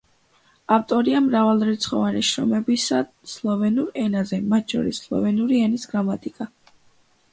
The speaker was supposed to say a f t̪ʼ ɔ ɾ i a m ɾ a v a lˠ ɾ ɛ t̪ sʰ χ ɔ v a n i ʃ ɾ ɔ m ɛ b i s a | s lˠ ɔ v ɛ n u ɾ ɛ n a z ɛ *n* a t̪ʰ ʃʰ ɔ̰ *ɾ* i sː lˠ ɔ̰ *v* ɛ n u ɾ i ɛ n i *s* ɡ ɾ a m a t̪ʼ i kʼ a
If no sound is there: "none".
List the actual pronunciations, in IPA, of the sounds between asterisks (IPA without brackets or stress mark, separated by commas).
m, ɾ, v, s